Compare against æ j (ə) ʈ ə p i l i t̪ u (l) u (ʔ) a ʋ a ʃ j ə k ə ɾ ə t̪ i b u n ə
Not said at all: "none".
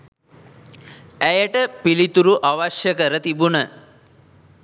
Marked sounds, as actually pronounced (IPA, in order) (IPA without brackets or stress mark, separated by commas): ə, ɾ, ʔ